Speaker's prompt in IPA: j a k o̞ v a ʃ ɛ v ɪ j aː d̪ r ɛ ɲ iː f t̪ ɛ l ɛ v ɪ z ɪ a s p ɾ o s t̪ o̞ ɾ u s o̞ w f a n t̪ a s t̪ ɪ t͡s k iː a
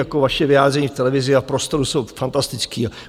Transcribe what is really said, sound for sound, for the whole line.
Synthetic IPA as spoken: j a k o̞ v a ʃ ɛ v ɪ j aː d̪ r ɛ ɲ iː f t̪ ɛ l ɛ v ɪ z ɪ a f p ɾ o s t̪ o̞ ɾ u s o̞ w f a n t̪ a s t̪ ɪ t͡s k iː a